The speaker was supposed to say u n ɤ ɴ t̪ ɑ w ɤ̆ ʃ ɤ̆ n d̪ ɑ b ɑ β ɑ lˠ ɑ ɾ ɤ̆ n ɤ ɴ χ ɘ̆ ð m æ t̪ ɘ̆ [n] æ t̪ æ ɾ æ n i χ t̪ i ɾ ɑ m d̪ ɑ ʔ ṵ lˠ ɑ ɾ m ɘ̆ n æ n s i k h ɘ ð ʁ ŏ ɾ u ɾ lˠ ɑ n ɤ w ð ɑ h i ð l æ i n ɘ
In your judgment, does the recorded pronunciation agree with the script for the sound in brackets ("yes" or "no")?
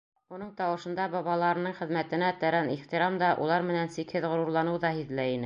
yes